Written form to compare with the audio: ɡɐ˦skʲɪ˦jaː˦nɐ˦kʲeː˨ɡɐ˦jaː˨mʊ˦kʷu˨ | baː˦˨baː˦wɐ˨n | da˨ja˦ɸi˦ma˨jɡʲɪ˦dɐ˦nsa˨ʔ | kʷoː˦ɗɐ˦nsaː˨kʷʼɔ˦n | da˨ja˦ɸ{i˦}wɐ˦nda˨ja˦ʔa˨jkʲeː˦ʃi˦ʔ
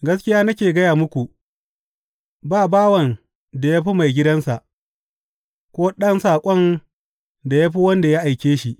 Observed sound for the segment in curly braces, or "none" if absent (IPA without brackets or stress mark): i˦